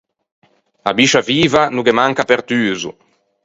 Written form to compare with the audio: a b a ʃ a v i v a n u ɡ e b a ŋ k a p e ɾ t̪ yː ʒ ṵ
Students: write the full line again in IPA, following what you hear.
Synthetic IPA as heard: a b i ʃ a v iː v a n u ɡ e m a ŋ k a p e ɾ t̪ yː z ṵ